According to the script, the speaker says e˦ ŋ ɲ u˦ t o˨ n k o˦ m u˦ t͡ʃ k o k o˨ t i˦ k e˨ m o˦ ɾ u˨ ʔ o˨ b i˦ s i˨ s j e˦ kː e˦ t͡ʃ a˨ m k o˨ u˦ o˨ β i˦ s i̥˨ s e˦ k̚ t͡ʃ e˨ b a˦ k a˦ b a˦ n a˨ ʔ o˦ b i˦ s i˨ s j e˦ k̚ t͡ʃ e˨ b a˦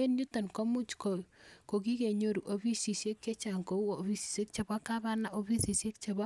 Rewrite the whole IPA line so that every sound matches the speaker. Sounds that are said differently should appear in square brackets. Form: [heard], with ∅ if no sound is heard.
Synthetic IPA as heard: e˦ [n] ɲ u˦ t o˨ n k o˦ m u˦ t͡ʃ k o k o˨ [k] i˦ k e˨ [ɲ] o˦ ɾ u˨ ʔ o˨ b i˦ s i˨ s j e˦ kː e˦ t͡ʃ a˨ [ŋ] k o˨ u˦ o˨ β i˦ s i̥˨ s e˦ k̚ t͡ʃ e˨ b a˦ k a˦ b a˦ n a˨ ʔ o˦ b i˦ s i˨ s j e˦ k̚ t͡ʃ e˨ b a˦